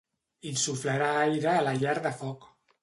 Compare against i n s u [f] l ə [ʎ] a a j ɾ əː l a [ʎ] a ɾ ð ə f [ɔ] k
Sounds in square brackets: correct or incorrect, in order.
correct, incorrect, correct, correct

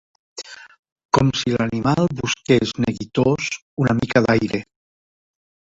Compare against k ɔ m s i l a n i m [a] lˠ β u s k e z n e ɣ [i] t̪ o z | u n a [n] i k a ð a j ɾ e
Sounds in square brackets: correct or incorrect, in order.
correct, correct, incorrect

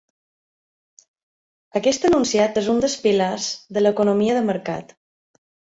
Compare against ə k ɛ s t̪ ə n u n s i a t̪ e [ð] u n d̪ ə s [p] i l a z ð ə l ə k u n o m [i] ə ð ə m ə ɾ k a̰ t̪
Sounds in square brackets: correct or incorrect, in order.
incorrect, correct, correct

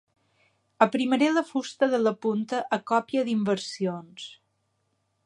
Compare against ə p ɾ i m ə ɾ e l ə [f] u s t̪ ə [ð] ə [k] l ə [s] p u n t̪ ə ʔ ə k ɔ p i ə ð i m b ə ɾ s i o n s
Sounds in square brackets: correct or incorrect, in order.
correct, correct, incorrect, incorrect

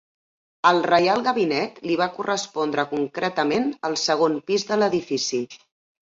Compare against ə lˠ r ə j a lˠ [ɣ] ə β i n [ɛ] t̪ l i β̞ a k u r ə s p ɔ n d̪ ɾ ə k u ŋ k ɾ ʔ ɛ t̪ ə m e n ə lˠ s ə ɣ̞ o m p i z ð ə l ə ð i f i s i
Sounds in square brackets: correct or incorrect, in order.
correct, correct

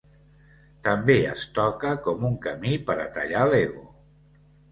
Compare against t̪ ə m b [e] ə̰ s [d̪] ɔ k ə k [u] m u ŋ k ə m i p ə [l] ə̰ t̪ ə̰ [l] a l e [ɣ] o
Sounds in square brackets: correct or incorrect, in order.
correct, incorrect, incorrect, incorrect, incorrect, correct

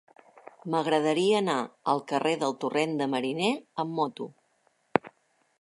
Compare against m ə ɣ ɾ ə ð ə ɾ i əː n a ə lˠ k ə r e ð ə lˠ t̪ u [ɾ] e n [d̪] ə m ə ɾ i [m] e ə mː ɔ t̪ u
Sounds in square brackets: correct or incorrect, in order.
incorrect, correct, incorrect

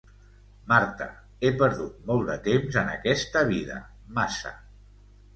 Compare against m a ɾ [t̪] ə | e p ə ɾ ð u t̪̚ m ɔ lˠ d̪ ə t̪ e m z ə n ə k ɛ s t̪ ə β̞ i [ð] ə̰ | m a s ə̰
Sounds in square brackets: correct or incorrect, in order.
correct, correct

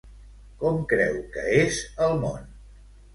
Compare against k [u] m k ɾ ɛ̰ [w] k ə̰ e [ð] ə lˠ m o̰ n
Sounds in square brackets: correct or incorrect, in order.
incorrect, correct, incorrect

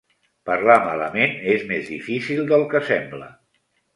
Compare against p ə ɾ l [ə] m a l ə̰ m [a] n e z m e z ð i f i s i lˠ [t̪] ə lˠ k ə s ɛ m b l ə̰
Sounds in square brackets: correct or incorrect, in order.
incorrect, incorrect, incorrect

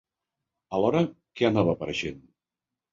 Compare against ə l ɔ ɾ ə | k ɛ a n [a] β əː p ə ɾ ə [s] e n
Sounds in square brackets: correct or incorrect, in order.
correct, incorrect

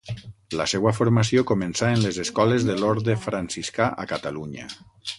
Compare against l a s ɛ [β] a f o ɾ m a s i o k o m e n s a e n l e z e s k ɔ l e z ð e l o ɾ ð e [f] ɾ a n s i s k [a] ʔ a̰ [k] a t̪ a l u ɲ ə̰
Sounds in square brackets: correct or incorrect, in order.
incorrect, correct, correct, correct

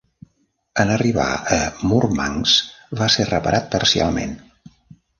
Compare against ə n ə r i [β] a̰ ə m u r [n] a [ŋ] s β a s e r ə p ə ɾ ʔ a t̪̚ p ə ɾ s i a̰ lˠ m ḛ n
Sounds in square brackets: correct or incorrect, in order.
correct, incorrect, correct

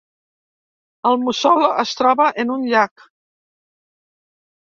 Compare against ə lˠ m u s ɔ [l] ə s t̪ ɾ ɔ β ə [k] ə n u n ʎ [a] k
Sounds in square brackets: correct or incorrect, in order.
correct, incorrect, correct

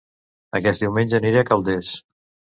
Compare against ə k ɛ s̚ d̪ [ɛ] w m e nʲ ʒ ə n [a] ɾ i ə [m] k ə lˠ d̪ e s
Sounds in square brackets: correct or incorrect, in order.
incorrect, incorrect, incorrect

